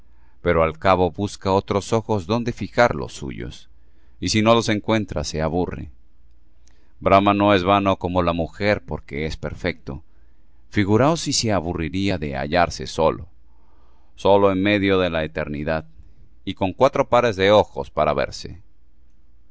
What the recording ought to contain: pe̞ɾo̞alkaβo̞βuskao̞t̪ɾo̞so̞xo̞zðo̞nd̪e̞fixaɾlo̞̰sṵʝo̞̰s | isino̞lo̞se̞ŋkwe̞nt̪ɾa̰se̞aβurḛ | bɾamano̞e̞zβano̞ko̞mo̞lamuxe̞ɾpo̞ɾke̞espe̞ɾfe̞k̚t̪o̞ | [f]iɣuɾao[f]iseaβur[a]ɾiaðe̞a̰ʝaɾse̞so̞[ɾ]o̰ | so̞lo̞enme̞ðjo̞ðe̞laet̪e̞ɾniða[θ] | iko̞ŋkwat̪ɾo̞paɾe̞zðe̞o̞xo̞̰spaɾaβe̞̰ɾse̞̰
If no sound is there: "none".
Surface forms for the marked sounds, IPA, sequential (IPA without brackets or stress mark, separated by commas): f, s, i, l, ð